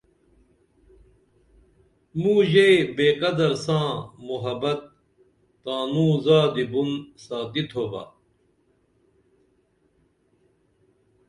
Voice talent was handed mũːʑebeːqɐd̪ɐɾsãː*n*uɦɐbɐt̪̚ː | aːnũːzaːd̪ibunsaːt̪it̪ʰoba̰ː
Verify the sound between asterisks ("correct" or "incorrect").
incorrect